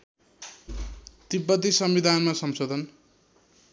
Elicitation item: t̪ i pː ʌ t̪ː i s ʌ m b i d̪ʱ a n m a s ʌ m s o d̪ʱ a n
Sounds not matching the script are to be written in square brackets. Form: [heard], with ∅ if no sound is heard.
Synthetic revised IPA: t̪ i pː ʌ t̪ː i s ʌ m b i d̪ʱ a n m a s ʌ m s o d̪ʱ [ʌ] n